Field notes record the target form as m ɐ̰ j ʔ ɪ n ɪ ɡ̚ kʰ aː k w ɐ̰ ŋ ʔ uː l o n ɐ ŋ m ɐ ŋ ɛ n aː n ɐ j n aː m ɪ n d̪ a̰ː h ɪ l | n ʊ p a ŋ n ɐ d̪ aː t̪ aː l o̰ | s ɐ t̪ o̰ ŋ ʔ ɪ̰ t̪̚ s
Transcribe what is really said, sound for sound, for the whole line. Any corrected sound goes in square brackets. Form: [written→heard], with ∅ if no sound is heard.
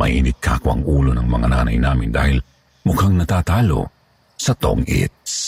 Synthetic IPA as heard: m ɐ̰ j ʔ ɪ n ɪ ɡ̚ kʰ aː k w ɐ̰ ŋ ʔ uː l o n ɐ ŋ m ɐ ŋ [ɛ→a] n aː n ɐ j n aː m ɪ n d̪ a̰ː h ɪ l | [n→m] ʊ [p→k] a ŋ n ɐ [d̪→t̪] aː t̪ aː l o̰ | s ɐ t̪ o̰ ŋ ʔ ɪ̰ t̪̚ s